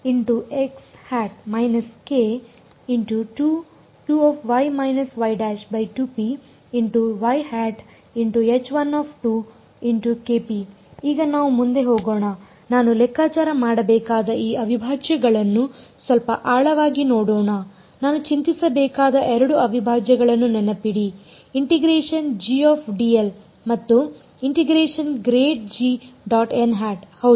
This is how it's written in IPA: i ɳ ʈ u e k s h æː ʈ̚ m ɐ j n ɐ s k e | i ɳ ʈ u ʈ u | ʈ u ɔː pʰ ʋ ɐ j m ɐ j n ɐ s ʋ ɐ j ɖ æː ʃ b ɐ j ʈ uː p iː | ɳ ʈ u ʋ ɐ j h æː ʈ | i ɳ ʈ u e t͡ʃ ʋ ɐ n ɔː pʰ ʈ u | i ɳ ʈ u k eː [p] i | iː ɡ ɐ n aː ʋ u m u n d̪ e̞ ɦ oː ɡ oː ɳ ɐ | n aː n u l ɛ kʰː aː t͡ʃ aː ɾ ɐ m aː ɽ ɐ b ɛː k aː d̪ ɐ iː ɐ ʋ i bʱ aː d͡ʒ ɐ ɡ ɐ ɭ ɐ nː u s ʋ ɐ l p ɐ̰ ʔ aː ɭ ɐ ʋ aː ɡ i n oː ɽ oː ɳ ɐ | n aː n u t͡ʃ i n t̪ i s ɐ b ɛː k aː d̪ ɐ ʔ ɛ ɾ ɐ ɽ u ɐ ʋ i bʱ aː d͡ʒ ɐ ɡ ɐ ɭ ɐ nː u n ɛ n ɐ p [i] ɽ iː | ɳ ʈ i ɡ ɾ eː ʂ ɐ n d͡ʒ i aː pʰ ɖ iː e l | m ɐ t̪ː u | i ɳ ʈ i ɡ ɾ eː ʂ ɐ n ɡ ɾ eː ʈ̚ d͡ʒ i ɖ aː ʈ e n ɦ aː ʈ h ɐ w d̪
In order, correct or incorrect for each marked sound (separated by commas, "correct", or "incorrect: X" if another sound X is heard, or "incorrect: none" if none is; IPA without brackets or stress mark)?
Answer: correct, correct